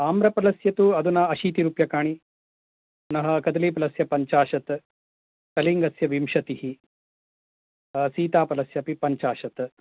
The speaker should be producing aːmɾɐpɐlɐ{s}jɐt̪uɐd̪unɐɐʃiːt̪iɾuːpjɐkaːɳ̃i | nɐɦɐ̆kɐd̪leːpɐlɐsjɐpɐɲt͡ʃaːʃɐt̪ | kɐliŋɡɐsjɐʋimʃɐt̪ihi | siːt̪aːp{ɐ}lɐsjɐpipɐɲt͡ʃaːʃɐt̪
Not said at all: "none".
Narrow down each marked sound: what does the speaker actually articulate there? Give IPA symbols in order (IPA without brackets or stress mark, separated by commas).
s, ɐ